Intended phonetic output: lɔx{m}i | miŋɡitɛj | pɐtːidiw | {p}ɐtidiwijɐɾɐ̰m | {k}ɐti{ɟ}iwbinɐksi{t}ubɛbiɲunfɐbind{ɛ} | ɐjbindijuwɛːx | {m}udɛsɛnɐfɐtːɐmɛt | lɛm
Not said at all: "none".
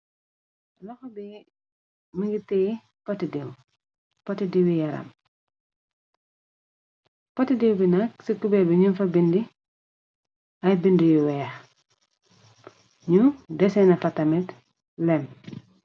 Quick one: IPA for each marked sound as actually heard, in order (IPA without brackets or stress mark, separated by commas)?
b, p, p, d, k, i, ɲ